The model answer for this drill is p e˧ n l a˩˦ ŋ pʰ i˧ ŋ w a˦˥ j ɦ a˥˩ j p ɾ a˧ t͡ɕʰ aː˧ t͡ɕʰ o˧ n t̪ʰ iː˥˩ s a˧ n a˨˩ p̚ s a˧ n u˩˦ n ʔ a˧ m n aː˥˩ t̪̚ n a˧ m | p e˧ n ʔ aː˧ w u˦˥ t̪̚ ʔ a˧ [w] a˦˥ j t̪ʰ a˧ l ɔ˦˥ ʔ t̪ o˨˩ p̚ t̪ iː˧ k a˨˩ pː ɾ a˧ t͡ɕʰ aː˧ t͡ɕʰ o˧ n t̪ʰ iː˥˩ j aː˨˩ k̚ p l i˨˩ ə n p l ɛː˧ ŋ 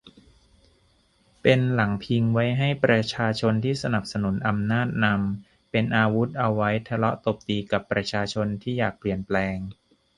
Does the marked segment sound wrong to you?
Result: yes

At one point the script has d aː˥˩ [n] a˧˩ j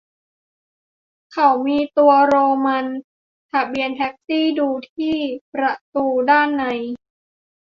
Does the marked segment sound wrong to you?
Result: yes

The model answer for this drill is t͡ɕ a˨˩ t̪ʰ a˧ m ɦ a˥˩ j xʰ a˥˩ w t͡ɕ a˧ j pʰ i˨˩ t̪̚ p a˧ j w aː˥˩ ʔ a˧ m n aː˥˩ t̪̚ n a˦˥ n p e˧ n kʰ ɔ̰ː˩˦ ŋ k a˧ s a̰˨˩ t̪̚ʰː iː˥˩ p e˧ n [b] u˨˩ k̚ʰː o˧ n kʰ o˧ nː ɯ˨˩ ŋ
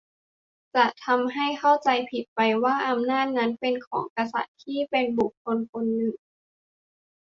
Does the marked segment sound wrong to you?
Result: no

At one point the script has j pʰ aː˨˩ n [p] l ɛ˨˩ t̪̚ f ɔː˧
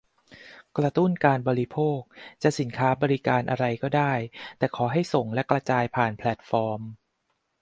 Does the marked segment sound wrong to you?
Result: yes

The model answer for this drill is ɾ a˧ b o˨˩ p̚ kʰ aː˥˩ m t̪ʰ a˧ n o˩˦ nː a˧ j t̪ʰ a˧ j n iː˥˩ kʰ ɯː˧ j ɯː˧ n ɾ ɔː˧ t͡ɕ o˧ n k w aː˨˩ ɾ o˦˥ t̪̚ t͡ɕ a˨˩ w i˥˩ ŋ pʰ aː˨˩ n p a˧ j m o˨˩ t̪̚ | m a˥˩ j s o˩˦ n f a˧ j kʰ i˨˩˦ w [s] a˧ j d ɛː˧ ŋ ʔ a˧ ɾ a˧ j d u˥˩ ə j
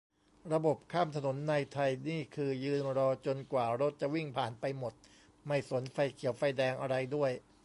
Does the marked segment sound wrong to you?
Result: yes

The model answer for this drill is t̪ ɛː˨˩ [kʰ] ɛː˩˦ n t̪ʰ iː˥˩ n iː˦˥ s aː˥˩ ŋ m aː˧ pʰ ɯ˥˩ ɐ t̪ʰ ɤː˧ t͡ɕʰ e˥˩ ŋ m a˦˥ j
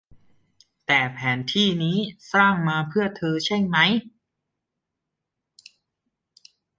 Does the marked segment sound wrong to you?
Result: yes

